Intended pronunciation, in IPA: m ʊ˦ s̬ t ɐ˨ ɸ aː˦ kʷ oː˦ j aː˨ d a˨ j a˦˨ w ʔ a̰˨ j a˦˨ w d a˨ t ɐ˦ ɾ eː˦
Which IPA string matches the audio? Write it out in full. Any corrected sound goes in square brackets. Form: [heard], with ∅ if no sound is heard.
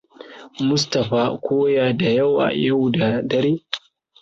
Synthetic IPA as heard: m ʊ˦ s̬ t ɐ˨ ɸ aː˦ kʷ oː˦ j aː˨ d a˨ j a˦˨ w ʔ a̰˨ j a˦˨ w d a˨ [d] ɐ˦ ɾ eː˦